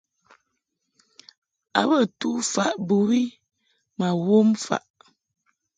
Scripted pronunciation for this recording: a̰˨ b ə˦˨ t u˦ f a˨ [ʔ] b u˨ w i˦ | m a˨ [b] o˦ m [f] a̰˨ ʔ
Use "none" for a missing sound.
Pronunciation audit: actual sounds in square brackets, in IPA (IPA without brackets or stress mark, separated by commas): ʔ, w, f